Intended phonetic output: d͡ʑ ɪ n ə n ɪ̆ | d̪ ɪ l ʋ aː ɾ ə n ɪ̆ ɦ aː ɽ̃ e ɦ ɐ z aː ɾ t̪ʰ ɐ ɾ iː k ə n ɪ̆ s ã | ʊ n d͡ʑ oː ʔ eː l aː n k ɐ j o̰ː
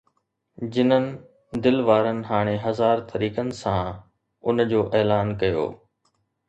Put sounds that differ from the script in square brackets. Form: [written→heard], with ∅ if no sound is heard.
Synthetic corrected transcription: d͡ʑ ɪ n ə n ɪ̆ | d̪ ɪ l ʋ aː ɾ ə n ɪ̆ ɦ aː ɽ̃ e ɦ ɐ z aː ɾ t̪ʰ ɐ ɾ iː k ə n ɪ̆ s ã | ʊ n d͡ʑ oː ʔ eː l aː n k ɐ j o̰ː